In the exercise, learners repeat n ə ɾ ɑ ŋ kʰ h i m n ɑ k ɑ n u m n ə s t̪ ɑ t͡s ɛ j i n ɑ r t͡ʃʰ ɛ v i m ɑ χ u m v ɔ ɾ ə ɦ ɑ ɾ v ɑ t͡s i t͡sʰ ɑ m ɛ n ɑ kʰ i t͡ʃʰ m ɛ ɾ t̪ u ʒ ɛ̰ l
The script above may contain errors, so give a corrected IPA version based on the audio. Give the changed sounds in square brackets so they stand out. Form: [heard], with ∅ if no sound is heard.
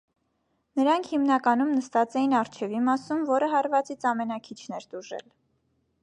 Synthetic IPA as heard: n ə ɾ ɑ ŋ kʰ h i m n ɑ k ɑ n u m n ə s t̪ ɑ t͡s ɛ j i n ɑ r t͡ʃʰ ɛ v i m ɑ [s] u m v ɔ ɾ ə ɦ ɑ ɾ v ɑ t͡s i t͡sʰ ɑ m ɛ n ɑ kʰ i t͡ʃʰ [n] ɛ ɾ t̪ u ʒ ɛ̰ l